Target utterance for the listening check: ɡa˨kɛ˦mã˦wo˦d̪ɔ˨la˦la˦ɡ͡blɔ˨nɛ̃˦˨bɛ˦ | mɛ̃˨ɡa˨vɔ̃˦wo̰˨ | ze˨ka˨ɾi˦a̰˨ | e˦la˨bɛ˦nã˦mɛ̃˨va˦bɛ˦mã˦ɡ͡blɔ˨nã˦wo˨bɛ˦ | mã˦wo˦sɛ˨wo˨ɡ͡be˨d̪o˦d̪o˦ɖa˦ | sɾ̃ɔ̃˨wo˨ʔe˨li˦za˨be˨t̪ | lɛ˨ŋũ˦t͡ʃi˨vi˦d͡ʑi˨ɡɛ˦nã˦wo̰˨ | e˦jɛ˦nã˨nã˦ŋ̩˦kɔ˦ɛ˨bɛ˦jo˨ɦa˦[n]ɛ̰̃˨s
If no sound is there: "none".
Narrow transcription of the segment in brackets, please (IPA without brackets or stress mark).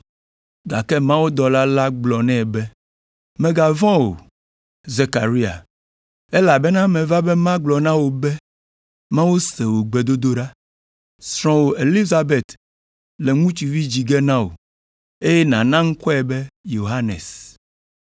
n